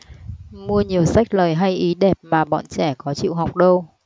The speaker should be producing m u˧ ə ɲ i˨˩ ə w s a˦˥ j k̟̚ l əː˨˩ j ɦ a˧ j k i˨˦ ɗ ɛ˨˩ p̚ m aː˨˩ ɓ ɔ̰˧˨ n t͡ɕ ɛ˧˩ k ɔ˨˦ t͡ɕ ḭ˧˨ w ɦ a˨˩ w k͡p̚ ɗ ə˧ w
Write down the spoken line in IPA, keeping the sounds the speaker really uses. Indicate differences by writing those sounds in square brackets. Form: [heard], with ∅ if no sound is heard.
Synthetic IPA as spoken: m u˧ ə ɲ i˨˩ ə w s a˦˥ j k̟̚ l əː˨˩ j ɦ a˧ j [ʔ] i˨˦ ɗ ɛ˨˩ p̚ m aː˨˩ ɓ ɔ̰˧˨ n t͡ɕ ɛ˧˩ k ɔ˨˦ t͡ɕ ḭ˧˨ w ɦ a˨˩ w k͡p̚ ɗ ə˧ w